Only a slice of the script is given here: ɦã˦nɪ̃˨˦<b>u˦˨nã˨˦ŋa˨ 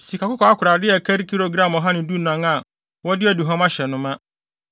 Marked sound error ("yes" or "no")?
yes